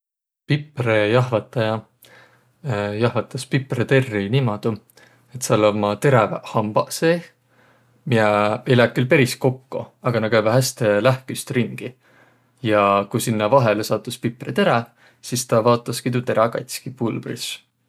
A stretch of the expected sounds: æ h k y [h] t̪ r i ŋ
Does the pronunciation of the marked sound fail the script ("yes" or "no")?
yes